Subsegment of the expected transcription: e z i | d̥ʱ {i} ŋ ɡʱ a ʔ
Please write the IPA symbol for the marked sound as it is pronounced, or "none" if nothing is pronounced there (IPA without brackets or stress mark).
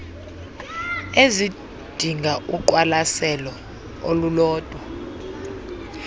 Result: i